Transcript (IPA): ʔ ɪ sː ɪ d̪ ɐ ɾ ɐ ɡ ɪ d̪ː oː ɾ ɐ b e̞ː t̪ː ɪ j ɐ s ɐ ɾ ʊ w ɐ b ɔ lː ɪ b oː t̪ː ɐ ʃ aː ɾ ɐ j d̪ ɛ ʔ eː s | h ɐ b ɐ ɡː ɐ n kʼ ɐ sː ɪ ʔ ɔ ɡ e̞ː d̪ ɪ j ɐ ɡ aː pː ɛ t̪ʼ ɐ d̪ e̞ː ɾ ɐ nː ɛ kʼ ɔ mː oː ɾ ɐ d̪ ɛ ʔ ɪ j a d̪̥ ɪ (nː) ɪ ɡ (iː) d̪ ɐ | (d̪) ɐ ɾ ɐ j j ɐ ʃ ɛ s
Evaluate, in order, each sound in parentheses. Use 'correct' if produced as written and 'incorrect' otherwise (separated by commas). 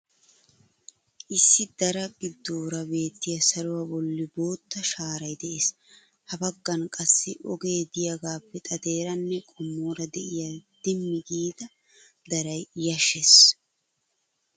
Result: incorrect, correct, correct